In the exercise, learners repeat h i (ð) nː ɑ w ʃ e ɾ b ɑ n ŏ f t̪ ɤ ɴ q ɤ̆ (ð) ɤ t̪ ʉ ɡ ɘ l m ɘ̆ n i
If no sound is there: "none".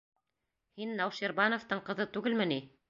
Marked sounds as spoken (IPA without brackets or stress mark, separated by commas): none, ð